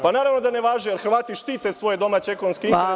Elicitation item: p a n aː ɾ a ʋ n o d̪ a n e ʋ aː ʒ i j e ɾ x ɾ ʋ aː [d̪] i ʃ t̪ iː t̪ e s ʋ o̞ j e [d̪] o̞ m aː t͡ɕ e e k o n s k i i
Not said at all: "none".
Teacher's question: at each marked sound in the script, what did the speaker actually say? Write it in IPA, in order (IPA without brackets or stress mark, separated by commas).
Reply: t̪, d̪